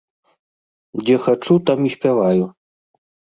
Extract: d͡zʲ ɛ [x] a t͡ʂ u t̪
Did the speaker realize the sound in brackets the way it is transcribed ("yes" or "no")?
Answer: yes